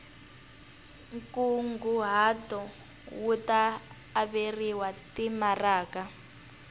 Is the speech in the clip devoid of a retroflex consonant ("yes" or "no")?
yes